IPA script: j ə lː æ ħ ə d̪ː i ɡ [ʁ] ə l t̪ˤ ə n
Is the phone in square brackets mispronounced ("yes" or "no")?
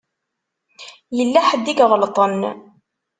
no